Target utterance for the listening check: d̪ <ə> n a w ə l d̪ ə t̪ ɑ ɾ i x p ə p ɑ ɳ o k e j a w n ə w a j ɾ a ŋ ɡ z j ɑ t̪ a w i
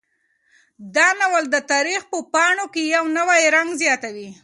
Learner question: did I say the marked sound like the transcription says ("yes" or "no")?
no